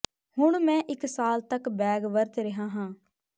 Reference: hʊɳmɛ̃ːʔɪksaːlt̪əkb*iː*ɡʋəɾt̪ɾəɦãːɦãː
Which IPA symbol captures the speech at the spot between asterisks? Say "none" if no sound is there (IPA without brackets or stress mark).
ɛː